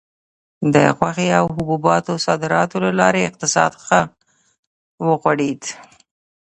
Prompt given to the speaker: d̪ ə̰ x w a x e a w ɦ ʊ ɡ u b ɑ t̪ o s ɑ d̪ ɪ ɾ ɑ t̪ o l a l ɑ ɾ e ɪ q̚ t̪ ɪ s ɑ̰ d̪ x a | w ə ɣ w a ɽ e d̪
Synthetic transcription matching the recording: d̪ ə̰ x w a x e a w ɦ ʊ b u b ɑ t̪ o s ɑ d̪ ɪ ɾ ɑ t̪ o l a l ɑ ɾ e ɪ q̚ t̪ ɪ s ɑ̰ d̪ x a | w ə ɣ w a ɽ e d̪